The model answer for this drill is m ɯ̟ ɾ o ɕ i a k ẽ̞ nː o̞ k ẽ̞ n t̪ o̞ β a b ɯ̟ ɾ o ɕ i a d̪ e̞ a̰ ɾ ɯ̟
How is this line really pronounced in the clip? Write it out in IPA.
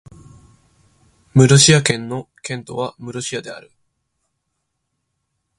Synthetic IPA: m ɯ̟ ɾ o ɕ i a k ẽ̞ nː o̞ k ẽ̞ n t̪ o̞ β a m ɯ̟ ɾ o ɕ i a d̪ e̞ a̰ ɾ ɯ̟

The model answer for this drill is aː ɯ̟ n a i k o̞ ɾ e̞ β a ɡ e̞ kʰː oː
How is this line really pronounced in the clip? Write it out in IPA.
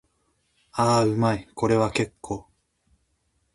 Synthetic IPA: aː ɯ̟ m a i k o̞ ɾ e̞ β a k e̞ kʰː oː

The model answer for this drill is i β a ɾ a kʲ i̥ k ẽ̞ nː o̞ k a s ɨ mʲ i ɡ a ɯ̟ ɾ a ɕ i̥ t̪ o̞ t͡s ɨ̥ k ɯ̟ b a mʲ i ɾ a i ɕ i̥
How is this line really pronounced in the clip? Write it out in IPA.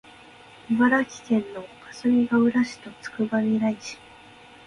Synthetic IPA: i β a ɾ a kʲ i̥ k ẽ̞ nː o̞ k a s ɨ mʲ i ɡ a ɯ̟ ɾ a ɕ i̥ t̪ o̞ t͡s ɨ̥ k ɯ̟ b a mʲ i ɾ a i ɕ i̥

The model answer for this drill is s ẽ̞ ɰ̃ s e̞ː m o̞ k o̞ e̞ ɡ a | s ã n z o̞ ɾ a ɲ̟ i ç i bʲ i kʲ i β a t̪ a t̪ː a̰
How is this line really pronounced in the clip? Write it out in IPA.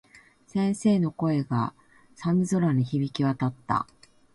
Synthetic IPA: s ẽ̞ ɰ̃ s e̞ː n o̞ k o̞ e̞ ɡ a | s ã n z o̞ ɾ a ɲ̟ i ç i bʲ i kʲ i β a t̪ a t̪ː a̰

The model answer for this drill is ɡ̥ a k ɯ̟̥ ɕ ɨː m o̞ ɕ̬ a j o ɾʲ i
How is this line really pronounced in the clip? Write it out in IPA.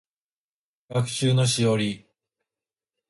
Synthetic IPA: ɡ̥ a k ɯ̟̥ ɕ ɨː n o̞ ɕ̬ i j o ɾʲ i

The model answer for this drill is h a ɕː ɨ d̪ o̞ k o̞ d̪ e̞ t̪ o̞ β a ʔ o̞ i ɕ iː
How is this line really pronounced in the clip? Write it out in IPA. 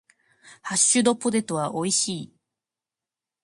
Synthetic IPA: h a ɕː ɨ d̪ o̞ p o̞ d̪ e̞ t̪ o̞ β a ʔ o̞ i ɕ iː

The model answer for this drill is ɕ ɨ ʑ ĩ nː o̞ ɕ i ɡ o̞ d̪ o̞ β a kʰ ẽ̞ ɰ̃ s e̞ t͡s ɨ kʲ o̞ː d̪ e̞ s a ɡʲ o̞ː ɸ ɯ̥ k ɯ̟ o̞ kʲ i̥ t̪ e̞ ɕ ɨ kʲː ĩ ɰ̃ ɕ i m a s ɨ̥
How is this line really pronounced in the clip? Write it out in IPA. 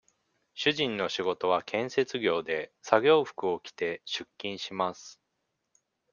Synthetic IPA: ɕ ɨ ʑ ĩ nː o̞ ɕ i ɡ o̞ t̪ o̞ β a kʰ ẽ̞ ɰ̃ s e̞ t͡s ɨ ɡʲ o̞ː d̪ e̞ s a ɡʲ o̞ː ɸ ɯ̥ k ɯ̟ o̞ kʲ i̥ t̪ e̞ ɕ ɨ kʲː ĩ ɰ̃ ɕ i m a s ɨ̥

